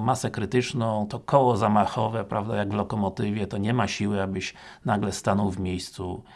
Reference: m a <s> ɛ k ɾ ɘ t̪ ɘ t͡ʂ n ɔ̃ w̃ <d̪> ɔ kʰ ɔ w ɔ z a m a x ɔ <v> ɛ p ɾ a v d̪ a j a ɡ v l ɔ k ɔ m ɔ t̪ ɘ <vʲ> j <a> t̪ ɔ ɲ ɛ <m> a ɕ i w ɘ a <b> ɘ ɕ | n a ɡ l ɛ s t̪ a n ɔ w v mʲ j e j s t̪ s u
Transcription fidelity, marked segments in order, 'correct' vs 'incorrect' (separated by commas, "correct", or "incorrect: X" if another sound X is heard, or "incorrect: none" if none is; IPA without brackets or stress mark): correct, incorrect: t̪, correct, correct, incorrect: ɛ, correct, correct